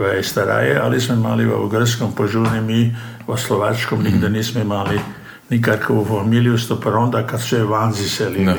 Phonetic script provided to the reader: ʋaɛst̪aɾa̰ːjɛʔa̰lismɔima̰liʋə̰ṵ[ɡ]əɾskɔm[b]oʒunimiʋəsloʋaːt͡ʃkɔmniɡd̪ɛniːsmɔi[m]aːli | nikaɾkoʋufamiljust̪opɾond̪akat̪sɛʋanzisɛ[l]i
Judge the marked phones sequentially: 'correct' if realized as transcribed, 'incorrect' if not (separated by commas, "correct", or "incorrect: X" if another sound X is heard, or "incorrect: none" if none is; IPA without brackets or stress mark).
correct, incorrect: p, correct, correct